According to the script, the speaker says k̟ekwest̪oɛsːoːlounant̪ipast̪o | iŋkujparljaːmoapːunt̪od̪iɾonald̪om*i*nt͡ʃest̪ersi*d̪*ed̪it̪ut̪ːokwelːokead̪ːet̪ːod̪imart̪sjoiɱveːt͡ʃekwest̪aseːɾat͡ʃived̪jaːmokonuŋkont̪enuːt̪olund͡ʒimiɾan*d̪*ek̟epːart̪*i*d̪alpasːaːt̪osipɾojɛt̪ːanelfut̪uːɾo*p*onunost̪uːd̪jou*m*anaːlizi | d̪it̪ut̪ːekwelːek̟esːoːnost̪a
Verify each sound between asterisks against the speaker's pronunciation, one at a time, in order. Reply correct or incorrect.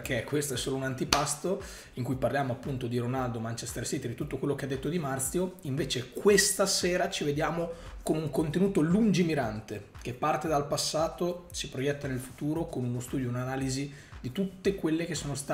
incorrect, incorrect, incorrect, incorrect, incorrect, incorrect

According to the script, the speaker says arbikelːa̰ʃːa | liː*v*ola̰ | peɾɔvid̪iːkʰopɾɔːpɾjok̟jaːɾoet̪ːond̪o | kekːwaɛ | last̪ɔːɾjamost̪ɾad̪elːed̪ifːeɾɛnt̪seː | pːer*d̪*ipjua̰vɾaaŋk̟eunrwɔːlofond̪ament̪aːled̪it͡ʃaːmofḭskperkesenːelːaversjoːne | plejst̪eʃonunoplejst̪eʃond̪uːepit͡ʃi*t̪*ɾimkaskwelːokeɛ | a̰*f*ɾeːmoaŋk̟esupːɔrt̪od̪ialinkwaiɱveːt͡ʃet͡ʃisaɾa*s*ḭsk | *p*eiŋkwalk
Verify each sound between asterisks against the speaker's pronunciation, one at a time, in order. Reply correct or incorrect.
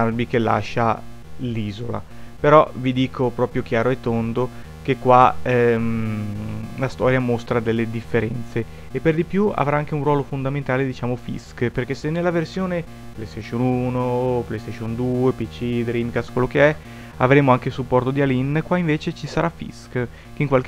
incorrect, correct, incorrect, incorrect, incorrect, incorrect

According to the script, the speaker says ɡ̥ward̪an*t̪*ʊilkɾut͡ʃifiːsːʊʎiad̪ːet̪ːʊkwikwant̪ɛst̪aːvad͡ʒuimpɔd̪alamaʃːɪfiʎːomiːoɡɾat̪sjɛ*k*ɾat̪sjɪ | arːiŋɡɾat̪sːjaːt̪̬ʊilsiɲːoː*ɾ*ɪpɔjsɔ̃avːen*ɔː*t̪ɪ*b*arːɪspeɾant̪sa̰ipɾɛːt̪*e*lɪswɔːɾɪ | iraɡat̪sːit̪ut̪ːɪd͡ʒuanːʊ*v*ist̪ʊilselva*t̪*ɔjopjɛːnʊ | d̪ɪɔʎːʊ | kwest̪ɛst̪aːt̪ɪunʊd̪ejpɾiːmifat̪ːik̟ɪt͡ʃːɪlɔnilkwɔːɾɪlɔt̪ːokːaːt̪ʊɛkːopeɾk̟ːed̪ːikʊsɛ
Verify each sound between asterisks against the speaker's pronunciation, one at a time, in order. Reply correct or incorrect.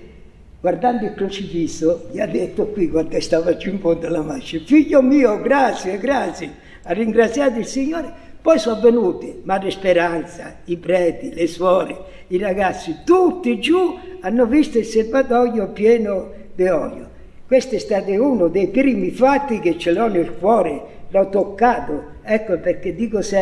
incorrect, incorrect, correct, incorrect, incorrect, incorrect, correct, correct

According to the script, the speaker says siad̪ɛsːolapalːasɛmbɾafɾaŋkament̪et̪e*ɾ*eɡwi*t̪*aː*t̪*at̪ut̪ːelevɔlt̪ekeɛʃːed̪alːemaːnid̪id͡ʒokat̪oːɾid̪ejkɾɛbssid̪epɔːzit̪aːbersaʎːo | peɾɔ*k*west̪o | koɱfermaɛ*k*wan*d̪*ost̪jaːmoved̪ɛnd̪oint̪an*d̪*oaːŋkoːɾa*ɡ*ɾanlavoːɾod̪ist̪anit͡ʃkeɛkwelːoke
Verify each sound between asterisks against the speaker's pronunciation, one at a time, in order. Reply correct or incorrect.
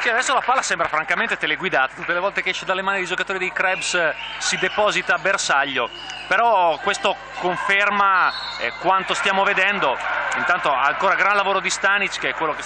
incorrect, incorrect, correct, correct, correct, incorrect, incorrect, correct

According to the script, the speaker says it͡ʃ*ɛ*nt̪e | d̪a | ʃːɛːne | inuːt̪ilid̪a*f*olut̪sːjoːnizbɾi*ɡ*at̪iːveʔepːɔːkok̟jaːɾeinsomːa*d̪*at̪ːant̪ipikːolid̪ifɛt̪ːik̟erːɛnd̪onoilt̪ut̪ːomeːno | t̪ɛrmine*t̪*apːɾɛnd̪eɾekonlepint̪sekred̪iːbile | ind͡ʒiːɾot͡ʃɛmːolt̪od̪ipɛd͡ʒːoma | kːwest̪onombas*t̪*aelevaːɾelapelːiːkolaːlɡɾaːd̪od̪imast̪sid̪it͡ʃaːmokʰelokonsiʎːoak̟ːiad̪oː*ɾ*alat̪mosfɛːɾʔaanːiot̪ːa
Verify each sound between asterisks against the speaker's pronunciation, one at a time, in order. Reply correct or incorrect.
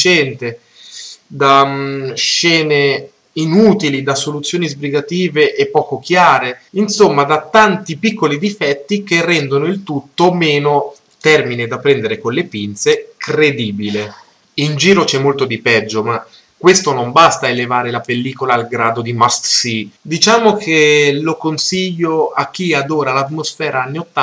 correct, incorrect, correct, correct, incorrect, correct, correct

